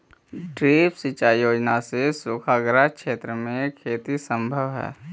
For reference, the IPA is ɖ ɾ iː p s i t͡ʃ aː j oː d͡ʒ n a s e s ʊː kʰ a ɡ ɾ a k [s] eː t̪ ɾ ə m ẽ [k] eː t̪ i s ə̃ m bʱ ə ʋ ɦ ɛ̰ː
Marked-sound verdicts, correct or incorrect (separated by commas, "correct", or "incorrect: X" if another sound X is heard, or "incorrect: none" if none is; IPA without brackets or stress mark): incorrect: ʃ, incorrect: kʰ